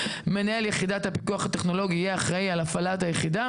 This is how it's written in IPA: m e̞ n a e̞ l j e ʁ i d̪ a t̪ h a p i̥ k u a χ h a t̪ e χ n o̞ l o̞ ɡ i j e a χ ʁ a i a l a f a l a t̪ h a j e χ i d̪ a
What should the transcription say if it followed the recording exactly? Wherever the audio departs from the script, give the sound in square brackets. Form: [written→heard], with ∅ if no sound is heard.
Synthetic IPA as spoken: m e̞ n a e̞ l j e [ʁ→χ] i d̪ a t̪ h a p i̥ k u a χ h a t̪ e χ n o̞ l o̞ ɡ i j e a χ ʁ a i a l a f a l a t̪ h a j e χ i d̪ a